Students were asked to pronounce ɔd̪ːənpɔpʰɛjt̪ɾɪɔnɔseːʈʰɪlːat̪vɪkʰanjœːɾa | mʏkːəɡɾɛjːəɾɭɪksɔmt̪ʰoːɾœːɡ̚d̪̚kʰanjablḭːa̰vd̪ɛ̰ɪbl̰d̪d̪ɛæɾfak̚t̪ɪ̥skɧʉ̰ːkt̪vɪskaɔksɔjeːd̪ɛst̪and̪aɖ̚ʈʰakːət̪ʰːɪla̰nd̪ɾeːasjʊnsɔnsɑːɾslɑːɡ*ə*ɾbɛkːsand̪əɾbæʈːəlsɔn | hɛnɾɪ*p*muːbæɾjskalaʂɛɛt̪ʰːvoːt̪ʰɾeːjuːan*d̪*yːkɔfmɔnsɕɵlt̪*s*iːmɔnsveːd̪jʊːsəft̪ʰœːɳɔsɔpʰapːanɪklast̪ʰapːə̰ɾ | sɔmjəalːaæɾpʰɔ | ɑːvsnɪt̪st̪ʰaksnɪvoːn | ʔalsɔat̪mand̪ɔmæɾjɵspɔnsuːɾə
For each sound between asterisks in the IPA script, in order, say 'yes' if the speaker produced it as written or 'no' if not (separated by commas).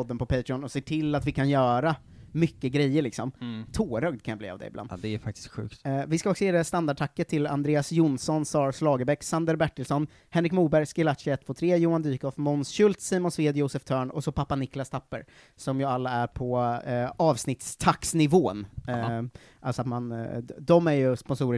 yes, no, yes, yes